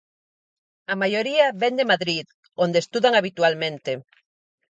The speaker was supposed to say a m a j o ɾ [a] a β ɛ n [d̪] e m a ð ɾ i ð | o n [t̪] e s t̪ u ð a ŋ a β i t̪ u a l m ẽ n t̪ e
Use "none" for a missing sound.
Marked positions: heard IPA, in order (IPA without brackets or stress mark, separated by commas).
i, d̪, d̪